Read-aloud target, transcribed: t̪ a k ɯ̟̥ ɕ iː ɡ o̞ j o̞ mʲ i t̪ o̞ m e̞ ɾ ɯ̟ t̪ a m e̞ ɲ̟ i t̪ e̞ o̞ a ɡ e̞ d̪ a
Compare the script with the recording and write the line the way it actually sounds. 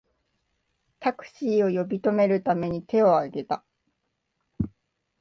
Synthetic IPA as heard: t̪ a k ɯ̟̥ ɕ iː o̞ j o̞ bʲ i t̪ o̞ m e̞ ɾ ɯ̟ t̪ a m e̞ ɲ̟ i t̪ e̞ o̞ a ɡ e̞ t̪ a